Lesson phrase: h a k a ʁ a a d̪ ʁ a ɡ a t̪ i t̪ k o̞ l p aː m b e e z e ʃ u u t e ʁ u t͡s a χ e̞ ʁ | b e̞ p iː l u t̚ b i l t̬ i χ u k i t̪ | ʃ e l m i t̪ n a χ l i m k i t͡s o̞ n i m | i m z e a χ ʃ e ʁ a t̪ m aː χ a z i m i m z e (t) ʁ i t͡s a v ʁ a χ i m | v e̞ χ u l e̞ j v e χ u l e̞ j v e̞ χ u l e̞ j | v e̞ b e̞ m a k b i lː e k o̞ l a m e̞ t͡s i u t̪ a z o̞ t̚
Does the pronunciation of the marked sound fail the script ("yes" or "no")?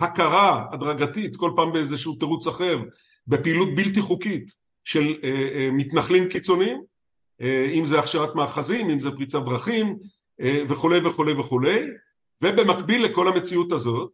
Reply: yes